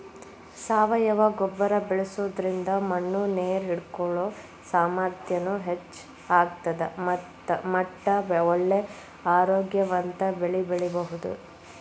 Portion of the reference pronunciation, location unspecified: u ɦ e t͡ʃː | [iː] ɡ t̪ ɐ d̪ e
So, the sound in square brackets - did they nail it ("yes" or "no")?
no